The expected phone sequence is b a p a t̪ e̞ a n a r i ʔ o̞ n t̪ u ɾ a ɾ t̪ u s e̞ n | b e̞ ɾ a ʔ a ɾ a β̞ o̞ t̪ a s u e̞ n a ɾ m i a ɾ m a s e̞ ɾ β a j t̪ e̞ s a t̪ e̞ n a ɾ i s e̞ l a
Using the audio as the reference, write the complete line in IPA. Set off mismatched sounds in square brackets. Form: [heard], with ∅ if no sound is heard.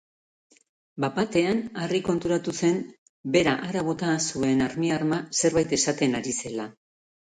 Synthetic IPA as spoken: b a p a t̪ e̞ a n a r i [k] o̞ n t̪ u ɾ a [∅] t̪ u s e̞ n | b e̞ ɾ a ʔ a ɾ a β̞ o̞ t̪ a s u e̞ n a ɾ m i a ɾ m a s e̞ ɾ β a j t̪ e̞ s a t̪ e̞ n a ɾ i s e̞ l a